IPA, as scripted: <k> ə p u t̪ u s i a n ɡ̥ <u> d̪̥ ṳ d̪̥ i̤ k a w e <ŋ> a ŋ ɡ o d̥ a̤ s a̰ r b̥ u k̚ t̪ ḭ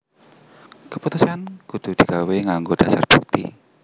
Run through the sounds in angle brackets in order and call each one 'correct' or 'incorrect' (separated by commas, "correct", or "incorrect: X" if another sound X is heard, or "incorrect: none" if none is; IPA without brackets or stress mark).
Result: correct, correct, correct